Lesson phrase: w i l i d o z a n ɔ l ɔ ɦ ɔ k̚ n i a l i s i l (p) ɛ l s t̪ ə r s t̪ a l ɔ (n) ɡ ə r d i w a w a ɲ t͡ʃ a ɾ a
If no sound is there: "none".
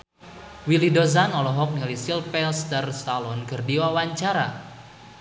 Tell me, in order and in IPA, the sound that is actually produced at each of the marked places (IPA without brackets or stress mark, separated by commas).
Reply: p, n